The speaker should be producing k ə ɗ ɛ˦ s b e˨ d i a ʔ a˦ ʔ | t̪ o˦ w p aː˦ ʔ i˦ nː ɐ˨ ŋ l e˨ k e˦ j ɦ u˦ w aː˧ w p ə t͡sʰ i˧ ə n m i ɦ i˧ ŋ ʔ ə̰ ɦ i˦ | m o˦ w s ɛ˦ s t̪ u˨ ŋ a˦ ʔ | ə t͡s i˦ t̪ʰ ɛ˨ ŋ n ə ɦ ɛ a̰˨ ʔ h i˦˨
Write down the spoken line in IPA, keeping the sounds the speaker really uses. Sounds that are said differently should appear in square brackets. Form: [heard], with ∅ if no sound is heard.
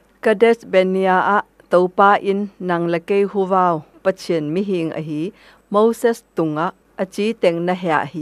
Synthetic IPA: k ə [d] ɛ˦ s b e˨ [n] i a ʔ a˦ ʔ | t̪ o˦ w p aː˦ ʔ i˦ nː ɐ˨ ŋ l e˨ k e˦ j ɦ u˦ [v] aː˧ w p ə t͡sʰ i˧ ə n m i ɦ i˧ ŋ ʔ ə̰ ɦ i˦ | m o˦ w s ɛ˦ s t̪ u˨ ŋ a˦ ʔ | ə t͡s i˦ [t̪] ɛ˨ ŋ n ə ɦ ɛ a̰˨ ʔ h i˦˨